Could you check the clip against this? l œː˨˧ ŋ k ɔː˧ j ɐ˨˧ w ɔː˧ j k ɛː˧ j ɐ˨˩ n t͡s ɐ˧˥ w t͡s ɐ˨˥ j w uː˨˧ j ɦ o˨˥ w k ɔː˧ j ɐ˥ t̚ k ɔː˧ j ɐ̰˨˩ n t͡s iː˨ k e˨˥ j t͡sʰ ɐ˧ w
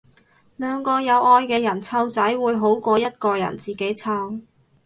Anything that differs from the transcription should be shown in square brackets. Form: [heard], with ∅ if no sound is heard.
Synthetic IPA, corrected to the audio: l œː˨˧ ŋ k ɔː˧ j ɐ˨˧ w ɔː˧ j k ɛː˧ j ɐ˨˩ n [t͡sʰ] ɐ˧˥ w t͡s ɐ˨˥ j w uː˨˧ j ɦ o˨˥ w k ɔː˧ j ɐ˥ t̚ k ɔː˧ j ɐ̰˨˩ n t͡s iː˨ k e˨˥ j t͡sʰ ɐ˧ w